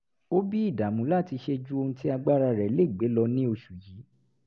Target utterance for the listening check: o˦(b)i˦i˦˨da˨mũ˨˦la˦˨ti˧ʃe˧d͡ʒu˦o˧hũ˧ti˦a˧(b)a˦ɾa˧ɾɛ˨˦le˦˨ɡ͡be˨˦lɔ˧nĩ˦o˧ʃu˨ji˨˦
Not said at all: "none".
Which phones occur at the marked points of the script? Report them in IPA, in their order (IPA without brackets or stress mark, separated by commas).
b, ɡ͡b